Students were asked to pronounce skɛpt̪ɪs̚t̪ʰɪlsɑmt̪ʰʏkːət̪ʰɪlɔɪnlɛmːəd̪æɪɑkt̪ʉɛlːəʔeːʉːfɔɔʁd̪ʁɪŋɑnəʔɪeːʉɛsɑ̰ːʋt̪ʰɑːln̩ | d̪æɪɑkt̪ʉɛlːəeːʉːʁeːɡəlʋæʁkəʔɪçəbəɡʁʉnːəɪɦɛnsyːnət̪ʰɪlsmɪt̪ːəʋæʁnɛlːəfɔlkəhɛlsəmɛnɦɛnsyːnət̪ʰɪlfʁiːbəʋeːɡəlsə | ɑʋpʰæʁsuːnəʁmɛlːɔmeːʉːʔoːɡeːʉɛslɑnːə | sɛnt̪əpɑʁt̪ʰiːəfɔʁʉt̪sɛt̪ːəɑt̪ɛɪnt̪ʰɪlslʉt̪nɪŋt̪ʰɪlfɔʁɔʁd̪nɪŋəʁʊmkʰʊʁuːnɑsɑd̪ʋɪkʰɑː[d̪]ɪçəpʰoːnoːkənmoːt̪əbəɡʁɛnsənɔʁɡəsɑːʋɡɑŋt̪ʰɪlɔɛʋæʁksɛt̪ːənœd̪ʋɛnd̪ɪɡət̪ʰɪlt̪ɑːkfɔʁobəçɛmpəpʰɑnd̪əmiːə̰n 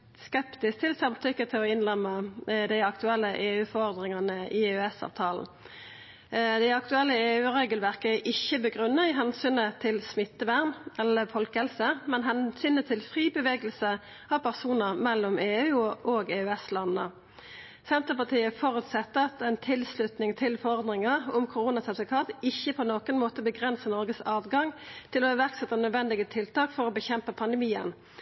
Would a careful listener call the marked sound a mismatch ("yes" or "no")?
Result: yes